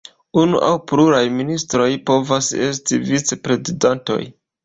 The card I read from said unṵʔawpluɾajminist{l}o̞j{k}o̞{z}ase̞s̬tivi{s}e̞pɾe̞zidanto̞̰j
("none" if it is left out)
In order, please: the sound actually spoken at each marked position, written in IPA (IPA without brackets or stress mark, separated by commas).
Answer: ɾ, p, v, t͡s